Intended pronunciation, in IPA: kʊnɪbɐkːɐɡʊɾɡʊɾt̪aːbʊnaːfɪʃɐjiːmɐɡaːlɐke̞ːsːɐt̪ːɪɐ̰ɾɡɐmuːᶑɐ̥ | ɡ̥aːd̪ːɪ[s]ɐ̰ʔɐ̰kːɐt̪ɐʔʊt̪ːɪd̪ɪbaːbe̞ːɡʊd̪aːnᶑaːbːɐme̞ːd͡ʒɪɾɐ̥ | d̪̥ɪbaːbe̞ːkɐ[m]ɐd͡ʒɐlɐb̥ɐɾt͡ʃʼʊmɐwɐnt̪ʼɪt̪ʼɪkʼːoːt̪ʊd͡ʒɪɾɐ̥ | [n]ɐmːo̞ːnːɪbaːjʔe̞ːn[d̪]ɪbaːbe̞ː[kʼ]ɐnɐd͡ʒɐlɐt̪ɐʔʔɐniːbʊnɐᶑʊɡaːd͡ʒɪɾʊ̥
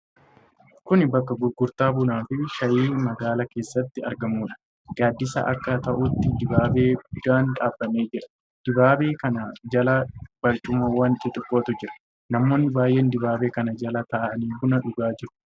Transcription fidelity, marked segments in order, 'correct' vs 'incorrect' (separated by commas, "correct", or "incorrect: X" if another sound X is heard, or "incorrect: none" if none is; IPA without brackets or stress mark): correct, incorrect: n, correct, correct, incorrect: k